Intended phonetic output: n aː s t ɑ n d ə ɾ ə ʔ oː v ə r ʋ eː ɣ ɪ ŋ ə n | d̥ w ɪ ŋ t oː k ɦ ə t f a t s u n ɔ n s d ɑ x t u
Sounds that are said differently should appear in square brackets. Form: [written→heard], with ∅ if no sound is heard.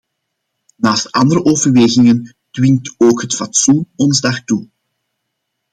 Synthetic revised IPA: n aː s t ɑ n d ə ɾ ə ʔ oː v ə r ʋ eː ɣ ɪ ŋ ə n | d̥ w ɪ ŋ t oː k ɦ ə t f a t s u n ɔ n [s→z] d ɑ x t u